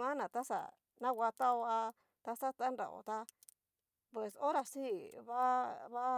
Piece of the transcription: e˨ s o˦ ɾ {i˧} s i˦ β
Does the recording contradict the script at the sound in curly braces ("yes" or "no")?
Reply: yes